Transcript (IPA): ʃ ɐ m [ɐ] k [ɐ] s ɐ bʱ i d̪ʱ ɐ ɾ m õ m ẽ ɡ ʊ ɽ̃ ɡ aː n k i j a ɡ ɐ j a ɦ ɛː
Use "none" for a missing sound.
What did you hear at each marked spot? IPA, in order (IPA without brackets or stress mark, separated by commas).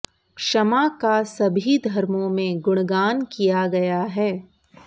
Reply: a, a